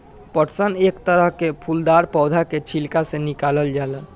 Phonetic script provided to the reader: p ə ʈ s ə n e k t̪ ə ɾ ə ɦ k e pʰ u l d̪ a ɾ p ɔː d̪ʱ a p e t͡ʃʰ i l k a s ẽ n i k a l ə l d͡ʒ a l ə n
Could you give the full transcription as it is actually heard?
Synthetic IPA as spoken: p ə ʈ s ə n e k t̪ ə ɾ ə ɦ k e pʰ u l d̪ a ɾ p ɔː d̪ʱ a k e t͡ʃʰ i l k a s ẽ n i k a l ə l d͡ʒ a l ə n